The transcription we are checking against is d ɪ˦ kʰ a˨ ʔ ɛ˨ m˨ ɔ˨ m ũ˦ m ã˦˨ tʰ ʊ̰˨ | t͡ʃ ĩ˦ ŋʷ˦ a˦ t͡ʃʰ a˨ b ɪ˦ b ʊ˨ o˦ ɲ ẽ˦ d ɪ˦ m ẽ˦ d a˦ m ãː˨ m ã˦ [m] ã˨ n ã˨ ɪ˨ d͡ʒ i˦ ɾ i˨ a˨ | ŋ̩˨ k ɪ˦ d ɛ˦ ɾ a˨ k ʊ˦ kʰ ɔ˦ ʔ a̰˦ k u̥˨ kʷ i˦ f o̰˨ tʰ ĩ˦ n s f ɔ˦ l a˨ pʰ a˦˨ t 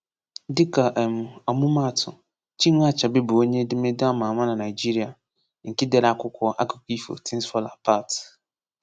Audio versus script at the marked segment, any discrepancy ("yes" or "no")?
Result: yes